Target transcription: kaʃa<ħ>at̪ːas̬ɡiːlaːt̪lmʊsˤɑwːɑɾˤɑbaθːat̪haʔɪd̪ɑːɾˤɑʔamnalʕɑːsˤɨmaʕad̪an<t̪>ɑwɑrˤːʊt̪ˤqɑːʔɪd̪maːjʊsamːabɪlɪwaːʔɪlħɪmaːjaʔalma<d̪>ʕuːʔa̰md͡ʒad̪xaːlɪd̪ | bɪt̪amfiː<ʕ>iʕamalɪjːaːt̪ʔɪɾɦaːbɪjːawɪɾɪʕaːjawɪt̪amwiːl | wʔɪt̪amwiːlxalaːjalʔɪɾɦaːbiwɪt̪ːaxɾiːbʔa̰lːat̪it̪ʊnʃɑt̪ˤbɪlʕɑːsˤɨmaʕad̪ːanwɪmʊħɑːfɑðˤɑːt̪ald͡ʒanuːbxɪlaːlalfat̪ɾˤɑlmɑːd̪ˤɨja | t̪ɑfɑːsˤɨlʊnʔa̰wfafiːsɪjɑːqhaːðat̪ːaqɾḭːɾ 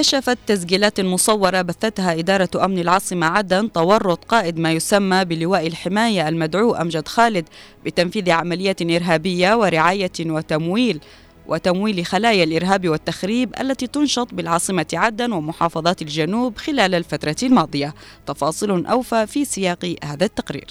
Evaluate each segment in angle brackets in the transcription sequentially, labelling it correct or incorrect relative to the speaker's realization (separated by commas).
incorrect, correct, correct, incorrect